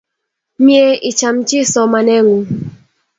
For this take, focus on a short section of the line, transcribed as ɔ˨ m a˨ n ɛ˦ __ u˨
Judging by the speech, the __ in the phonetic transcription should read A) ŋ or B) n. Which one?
A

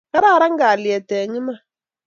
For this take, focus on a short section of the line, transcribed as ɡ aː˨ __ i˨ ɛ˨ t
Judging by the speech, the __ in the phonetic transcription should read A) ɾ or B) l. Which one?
B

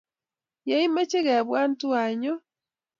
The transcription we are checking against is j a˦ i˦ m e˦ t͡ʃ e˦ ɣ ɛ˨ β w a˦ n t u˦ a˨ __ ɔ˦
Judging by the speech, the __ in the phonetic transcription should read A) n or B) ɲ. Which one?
B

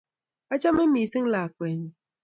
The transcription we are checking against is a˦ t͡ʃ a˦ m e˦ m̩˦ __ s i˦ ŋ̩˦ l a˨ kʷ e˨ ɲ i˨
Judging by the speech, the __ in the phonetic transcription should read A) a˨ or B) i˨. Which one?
B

